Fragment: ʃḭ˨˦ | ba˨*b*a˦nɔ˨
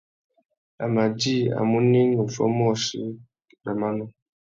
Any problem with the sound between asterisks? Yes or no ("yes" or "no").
yes